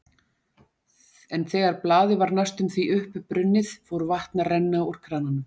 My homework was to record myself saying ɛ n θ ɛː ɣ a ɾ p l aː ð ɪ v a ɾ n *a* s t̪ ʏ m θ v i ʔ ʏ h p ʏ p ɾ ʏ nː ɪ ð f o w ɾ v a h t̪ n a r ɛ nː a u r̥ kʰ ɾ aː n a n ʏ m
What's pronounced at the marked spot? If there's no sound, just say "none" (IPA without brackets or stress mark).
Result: a